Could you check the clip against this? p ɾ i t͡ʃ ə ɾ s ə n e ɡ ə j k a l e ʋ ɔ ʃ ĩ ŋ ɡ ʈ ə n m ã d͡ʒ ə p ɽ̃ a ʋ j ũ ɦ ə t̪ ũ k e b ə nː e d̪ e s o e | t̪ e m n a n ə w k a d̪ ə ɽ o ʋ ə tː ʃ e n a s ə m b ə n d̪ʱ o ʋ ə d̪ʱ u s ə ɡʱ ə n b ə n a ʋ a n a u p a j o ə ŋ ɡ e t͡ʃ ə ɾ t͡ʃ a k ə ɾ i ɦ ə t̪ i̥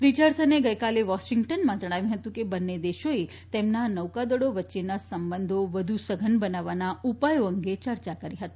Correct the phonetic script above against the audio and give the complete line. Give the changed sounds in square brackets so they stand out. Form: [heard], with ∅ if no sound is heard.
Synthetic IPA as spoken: p ɾ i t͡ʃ ə ɾ s ə n e ɡ ə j k a l e ʋ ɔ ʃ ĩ ŋ ɡ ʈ ə n m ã d͡ʒ ə [∅] ɽ̃ a ʋ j ũ ɦ ə t̪ ũ k e b ə nː e d̪ e [ʃ] o e | t̪ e m n a n ə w k a d̪ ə ɽ o ʋ ə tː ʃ e n a s ə m b ə n d̪ʱ o ʋ ə d̪ʱ u s ə ɡʱ ə n b ə n a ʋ a n a u p a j o ə ŋ ɡ e t͡ʃ ə ɾ t͡ʃ a k ə ɾ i ɦ ə t̪ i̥